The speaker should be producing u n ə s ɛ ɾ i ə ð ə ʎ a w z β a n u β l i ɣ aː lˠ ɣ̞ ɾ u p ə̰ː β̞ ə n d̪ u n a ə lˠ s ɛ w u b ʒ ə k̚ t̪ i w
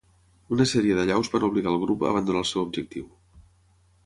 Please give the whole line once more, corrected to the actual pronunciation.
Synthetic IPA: u n ə s ɛ ɾ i ə ð ə ʎ a w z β a n u β l i ɣ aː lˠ ɣ̞ ɾ u p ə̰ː β̞ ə n d̪ u n a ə lˠ s ɛ w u b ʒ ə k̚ t̪ i w